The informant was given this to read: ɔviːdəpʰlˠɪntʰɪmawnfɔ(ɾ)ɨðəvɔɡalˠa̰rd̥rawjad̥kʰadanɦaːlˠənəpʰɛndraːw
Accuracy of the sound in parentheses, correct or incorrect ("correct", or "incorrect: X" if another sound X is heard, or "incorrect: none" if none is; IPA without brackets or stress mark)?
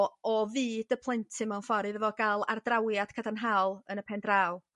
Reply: correct